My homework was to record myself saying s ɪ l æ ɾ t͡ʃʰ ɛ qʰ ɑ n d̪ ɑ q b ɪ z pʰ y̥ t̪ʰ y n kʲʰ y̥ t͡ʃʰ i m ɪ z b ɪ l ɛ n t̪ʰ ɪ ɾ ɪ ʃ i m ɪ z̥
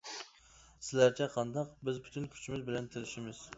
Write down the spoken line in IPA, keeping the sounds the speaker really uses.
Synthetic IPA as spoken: s ɪ l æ ɾ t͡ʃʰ ɛ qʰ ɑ n d̪ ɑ q b ɪ z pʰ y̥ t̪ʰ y n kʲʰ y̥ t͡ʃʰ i m ɪ z b ɪ l ɛ n t̪ʰ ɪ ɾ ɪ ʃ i m ɪ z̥